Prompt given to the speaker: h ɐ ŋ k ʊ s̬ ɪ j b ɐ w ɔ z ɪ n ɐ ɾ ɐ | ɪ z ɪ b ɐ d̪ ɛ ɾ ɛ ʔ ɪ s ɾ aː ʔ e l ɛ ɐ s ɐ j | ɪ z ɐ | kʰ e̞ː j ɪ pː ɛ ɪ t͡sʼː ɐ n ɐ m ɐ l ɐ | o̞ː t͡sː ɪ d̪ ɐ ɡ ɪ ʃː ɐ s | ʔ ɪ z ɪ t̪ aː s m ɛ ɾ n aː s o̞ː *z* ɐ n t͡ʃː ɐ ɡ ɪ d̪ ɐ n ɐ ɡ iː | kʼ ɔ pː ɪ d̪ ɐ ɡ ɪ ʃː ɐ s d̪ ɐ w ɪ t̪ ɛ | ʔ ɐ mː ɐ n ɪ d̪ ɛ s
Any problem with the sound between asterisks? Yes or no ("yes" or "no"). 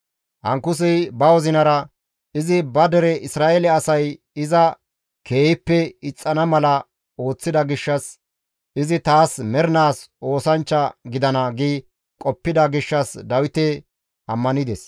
yes